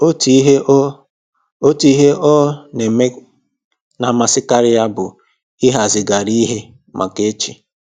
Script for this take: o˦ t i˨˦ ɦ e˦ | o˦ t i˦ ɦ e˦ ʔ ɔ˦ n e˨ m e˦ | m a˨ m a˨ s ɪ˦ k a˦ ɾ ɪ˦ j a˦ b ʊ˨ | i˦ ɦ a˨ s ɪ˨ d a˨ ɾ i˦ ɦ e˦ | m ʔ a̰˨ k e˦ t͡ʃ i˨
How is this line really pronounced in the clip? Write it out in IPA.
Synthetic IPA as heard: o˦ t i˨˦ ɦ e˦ | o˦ t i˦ ɦ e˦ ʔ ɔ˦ n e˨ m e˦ | n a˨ m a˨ s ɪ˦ k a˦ ɾ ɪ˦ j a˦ b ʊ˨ | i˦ ɦ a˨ z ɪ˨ ɡ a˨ ɾ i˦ ɦ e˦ | m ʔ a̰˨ k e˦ t͡ʃ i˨